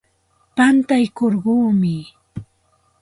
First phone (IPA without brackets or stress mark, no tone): p